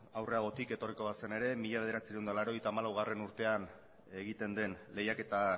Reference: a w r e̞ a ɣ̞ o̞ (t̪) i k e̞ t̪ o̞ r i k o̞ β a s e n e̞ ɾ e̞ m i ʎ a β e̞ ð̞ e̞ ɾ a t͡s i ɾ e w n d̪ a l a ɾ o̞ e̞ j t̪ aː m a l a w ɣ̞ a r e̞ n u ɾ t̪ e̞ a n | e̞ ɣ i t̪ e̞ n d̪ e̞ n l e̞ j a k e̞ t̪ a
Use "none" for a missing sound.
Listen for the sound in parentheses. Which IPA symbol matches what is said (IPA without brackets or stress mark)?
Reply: t̪